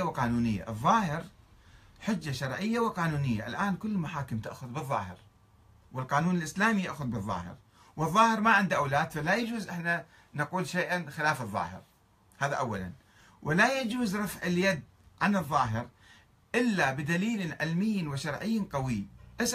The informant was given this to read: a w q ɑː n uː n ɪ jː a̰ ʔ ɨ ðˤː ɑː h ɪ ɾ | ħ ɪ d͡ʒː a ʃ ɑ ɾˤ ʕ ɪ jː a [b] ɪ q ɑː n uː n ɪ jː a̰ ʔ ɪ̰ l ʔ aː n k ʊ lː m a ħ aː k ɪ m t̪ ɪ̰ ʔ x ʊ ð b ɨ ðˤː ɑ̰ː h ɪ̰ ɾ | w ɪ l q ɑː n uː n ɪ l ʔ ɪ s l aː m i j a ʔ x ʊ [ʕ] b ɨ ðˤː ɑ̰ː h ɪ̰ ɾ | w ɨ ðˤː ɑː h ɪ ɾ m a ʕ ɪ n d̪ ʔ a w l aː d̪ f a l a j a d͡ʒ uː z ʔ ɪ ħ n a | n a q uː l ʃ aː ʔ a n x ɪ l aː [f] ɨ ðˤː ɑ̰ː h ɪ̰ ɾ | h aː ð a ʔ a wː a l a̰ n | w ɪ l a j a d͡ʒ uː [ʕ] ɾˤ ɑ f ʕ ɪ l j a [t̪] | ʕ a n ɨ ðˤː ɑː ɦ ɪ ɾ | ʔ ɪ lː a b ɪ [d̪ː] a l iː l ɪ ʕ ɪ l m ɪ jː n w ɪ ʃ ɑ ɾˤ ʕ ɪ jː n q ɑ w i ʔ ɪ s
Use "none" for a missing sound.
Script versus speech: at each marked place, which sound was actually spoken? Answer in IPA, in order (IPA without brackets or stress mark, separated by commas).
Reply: w, ð, f, z, d̪, d̪